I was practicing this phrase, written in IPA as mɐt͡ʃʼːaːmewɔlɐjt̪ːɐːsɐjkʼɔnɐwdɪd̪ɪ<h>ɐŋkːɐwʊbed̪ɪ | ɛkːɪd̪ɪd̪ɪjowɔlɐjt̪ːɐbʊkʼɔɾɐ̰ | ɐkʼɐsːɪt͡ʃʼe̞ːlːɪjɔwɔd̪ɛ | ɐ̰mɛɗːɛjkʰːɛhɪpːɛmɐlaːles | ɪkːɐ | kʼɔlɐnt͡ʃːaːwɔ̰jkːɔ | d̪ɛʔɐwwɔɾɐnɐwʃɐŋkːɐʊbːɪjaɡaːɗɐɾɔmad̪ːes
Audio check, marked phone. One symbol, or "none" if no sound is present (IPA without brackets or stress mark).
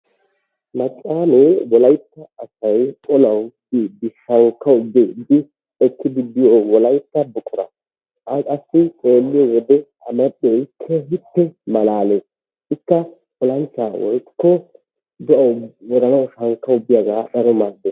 ʃ